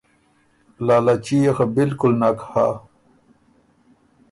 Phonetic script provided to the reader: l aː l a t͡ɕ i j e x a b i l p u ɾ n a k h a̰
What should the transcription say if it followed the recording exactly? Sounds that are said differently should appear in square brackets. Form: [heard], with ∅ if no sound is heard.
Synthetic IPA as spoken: l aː l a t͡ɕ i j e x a b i l [k] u [l] n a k h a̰

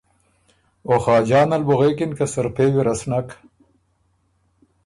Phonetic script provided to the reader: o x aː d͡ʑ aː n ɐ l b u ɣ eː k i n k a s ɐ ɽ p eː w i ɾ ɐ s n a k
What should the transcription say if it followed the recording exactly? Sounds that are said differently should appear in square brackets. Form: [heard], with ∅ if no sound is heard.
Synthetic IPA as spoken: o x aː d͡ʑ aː n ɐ l b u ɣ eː k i n k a s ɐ [ɾ] p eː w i ɾ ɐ s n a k

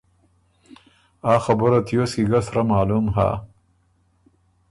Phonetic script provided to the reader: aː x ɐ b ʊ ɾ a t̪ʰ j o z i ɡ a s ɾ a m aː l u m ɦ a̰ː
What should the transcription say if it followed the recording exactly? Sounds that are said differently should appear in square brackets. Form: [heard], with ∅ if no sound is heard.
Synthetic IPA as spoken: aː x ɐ b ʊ ɾ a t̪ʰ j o [s] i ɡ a s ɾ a m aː l u m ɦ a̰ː

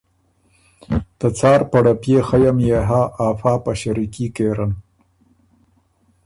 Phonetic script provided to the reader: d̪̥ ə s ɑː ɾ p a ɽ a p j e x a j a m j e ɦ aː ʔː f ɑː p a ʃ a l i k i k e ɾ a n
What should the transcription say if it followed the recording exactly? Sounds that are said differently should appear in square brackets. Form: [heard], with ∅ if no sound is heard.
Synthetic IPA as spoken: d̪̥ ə [t͡s] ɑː ɾ p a ɽ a p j e x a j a m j e ɦ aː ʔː f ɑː p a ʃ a [ɾ] i k i k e ɾ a n

